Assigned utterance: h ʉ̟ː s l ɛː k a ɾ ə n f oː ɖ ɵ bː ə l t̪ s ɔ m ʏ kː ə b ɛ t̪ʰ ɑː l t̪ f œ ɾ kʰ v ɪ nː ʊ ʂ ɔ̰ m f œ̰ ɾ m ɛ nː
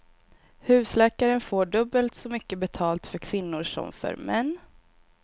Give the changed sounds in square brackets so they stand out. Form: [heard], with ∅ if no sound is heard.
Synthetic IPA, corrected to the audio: h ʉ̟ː s l ɛː k a ɾ ə n f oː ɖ ɵ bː ə l t̪ s ɔ m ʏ kː ə b ɛ t̪ʰ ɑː l t̪ f œ ɾ kʰ v ɪ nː ʊ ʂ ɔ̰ m f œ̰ ɾ m ɛ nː